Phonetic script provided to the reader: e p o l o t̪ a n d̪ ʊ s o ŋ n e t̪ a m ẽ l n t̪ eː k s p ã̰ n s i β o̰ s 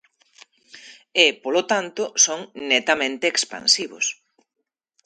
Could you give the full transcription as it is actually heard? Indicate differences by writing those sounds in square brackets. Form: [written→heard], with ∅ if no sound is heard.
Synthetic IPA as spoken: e p o l o t̪ a n [d̪→t̪] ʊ s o ŋ n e t̪ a m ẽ [l→∅] n t̪ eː k s p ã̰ n s i β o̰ s